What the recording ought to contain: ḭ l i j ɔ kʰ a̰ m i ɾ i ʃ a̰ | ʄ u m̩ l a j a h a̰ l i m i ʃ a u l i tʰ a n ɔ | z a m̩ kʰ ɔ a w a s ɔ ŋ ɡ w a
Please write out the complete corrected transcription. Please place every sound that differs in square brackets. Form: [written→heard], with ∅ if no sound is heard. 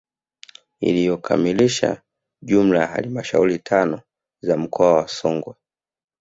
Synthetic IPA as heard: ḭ l i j ɔ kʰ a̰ m i [ɾ→l] i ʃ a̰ | ʄ u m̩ l a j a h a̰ l i m [i→a] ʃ a u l i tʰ a n ɔ | z a m̩ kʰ ɔ a w a s ɔ ŋ ɡ w a